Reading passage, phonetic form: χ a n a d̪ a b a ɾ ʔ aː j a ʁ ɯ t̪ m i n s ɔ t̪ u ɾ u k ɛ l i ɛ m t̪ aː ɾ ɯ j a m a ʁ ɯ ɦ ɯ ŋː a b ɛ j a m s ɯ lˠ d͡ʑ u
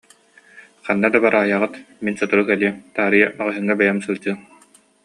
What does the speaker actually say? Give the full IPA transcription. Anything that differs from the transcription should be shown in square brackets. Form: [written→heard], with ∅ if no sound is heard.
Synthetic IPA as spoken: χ a [n→nː] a d̪ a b a ɾ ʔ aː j a ʁ ɯ t̪ m i n s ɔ t̪ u ɾ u k ɛ l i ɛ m t̪ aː ɾ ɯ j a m a ʁ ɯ ɦ ɯ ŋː a b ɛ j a m s ɯ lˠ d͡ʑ [u→ɯ]